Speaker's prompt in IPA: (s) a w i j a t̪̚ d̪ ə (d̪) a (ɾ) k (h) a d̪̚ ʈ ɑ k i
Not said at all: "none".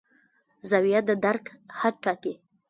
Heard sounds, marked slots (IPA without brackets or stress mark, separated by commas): z, d̪, ɾ, h